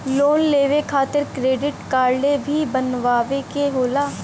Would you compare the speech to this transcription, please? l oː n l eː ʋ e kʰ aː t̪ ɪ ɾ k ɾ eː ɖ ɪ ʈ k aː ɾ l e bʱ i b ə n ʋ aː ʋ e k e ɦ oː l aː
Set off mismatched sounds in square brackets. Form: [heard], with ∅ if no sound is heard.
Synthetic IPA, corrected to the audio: l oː n l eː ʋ e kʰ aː t̪ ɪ ɾ k ɾ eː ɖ ɪ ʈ k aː ɾ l e bʱ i b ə n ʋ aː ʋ e k e ɦ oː l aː